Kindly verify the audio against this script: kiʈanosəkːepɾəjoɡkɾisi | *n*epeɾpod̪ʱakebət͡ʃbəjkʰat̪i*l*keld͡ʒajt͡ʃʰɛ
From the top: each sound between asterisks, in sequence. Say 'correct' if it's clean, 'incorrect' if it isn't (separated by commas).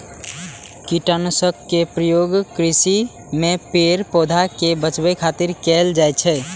incorrect, incorrect